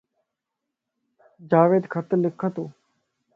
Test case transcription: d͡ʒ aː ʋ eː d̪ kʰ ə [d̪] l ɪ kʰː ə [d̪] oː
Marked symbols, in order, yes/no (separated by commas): no, no